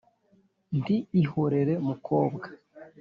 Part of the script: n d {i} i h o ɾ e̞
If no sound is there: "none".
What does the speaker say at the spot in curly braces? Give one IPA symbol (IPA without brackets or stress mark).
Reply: i